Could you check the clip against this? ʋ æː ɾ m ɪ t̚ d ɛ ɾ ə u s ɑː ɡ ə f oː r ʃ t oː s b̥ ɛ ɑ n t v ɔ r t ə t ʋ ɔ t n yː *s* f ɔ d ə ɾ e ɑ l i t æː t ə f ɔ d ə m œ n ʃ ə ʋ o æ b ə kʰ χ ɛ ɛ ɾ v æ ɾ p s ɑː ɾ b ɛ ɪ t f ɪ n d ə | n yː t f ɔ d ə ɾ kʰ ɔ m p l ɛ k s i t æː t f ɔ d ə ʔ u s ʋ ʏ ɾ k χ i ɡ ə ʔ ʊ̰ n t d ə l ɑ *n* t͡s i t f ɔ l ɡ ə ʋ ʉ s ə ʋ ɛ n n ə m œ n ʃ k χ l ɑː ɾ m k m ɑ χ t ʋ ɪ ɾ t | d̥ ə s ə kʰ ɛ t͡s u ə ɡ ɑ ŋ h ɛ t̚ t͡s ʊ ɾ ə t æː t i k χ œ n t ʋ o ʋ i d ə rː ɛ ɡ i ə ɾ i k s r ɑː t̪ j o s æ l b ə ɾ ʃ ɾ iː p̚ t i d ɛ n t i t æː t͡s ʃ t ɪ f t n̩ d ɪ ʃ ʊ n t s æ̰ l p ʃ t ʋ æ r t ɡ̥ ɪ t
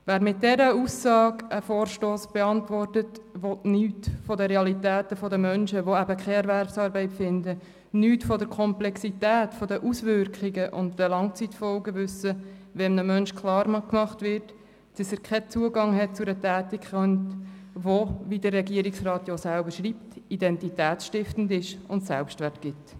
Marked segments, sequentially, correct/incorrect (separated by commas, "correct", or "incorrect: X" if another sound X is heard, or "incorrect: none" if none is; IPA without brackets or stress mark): incorrect: t, incorrect: ŋ